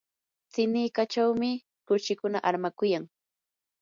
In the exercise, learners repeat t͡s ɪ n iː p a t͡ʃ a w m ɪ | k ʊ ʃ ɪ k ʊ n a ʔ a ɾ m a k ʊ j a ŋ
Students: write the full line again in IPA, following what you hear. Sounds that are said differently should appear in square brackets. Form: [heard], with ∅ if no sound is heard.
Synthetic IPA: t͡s ɪ n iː [k] a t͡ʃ a w m ɪ | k ʊ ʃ ɪ k ʊ n a ʔ a ɾ m a k ʊ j a ŋ